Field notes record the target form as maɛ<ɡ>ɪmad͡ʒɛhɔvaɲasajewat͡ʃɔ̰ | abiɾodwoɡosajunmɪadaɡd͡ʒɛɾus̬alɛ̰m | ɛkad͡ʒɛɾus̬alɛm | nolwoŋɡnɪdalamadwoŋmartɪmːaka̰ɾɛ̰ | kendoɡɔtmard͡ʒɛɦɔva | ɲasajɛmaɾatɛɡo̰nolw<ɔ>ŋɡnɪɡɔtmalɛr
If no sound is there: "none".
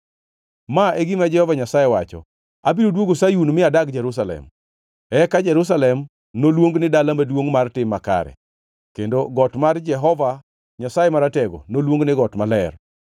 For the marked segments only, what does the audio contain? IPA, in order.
ɡ, o

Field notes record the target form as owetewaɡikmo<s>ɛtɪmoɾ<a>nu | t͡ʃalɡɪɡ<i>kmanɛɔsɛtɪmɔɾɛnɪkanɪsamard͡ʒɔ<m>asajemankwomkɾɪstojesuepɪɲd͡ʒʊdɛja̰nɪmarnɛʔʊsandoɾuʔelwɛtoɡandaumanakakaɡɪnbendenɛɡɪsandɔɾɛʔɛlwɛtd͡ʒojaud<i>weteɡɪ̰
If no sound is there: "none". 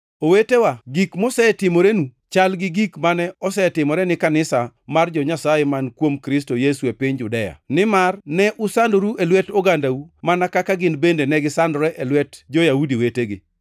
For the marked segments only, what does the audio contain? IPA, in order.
s, e, i, ɲ, i

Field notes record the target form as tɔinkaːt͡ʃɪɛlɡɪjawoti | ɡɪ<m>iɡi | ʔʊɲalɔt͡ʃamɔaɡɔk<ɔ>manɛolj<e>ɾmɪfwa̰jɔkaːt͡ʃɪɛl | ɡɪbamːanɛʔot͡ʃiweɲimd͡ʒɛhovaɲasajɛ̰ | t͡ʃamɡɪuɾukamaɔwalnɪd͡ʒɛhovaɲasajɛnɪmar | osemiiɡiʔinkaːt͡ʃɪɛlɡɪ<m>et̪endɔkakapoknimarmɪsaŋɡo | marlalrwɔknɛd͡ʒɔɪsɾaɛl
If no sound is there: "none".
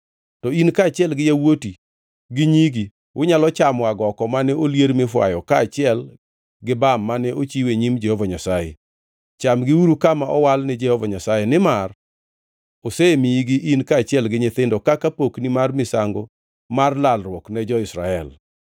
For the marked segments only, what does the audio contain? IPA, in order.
ɲ, ɔ, e, ɲ

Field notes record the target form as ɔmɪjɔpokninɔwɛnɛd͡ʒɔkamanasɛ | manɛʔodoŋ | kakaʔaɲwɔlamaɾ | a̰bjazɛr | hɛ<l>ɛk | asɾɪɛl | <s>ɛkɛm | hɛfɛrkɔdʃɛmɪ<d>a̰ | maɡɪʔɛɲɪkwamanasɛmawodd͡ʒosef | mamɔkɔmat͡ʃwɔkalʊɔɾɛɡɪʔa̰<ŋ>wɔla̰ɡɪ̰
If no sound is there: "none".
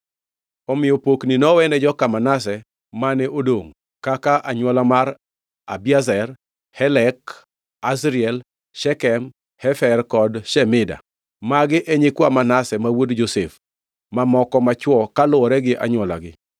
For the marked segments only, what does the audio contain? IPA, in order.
l, ʃ, d, ɲ

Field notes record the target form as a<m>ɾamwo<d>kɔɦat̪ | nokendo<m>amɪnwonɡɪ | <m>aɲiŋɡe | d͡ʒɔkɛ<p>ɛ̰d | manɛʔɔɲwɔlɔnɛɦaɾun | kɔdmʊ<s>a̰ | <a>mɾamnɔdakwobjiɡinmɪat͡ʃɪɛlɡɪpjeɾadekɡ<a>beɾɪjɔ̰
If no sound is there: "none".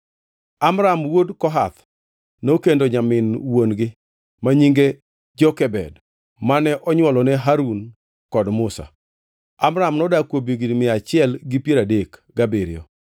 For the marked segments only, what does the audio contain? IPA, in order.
m, d, ɲ, m, b, s, a, a

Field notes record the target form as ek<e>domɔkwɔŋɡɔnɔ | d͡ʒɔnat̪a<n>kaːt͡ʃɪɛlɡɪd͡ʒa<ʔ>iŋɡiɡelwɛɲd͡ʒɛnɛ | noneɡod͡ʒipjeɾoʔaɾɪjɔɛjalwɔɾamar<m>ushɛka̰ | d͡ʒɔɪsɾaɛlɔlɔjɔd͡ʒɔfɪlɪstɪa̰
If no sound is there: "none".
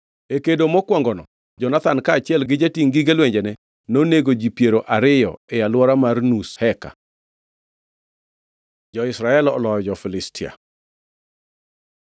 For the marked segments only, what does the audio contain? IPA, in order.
e, n, t, n

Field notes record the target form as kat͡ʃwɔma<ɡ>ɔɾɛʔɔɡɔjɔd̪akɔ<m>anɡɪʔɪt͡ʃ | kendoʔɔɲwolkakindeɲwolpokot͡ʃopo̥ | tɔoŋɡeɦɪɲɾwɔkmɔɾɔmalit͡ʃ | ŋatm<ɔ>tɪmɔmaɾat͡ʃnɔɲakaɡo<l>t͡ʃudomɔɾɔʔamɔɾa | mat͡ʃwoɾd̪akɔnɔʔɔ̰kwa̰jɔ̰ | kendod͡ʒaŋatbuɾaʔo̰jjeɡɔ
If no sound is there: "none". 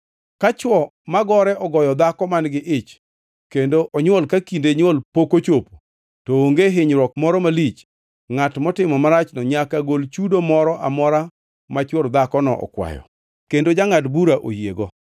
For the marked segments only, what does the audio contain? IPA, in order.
ɡ, m, ɔ, l

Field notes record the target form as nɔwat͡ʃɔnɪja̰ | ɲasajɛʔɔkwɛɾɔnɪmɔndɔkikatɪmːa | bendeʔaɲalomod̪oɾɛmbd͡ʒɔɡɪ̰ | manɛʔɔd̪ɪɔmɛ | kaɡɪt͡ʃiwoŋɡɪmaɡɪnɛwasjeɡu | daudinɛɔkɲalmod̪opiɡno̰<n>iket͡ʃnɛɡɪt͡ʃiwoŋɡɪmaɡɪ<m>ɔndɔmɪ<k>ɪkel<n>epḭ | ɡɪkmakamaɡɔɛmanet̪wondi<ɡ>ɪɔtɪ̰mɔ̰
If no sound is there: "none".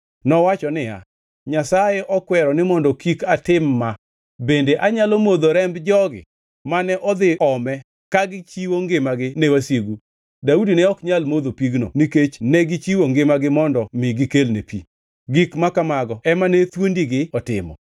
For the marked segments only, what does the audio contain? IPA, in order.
n, m, ɡ, n, ɡ

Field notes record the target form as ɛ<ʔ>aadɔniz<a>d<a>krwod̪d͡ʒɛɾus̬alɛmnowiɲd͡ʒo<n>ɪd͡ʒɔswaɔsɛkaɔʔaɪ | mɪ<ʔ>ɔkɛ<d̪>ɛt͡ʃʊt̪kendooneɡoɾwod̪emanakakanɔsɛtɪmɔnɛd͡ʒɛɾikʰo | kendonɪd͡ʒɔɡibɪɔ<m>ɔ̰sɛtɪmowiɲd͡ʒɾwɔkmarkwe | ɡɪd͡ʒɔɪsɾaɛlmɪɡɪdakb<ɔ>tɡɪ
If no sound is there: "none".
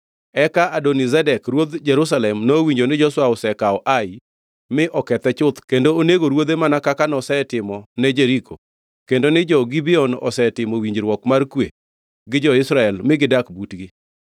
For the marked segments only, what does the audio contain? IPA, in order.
k, ɛ, ɛ, n, ʔ, t̪, n, u

